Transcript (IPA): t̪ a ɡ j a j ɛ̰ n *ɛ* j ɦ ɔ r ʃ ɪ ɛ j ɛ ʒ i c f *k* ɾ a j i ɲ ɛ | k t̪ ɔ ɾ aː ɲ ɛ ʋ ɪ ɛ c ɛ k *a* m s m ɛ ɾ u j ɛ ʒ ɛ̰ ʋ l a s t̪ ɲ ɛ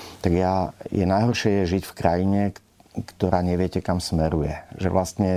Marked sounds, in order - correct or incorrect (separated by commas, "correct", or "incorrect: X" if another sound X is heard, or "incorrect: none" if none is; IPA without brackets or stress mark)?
incorrect: a, correct, correct